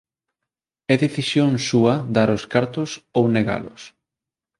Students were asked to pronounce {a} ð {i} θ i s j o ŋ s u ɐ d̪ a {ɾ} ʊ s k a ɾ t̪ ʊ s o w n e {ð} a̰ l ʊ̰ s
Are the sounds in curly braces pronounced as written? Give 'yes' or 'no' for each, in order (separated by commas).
no, no, yes, no